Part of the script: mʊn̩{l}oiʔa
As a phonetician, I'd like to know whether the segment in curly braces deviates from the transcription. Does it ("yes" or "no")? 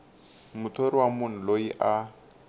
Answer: no